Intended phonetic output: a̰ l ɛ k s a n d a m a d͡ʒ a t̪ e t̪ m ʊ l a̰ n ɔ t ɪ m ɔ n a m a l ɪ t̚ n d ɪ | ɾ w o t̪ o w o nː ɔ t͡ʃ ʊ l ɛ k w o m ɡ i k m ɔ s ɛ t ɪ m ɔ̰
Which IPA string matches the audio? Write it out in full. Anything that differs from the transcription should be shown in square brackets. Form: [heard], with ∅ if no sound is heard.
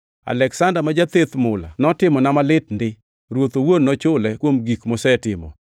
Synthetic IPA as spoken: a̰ l ɛ k s a n d a m a d͡ʒ a t̪ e t̪ m ʊ l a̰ n ɔ t ɪ m ɔ n a m a l ɪ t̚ n d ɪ | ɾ w o t̪ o w o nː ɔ t͡ʃ ʊ l ɛ k w o m ɡ i k m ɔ s ɛ t ɪ m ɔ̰